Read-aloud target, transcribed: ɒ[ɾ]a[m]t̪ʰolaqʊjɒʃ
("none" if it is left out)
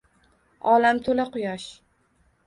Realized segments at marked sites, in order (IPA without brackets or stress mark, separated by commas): l, m